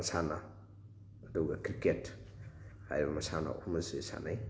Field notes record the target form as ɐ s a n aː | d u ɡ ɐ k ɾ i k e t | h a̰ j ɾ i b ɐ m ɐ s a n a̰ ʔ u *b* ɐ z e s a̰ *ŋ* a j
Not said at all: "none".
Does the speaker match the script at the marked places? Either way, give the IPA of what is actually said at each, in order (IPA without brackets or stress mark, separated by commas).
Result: m, n